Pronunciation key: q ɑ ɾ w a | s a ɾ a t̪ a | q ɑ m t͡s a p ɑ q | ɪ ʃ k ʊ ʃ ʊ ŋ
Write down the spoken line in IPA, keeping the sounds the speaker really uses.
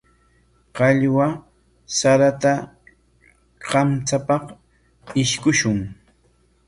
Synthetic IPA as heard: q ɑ ʎ w a | s a ɾ a t̪ a | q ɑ m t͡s a p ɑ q | ɪ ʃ k ʊ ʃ ʊ ŋ